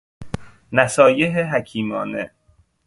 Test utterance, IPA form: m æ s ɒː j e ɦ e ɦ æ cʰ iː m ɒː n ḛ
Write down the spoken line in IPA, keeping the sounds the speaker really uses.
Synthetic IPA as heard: n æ s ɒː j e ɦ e ɦ æ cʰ iː m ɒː n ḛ